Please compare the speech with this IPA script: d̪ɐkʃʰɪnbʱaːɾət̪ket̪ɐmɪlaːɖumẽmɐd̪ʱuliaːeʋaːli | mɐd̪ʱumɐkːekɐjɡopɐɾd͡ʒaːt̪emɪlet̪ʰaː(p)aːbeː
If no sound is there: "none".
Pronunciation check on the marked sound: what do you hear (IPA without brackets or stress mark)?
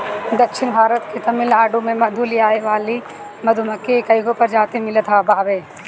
b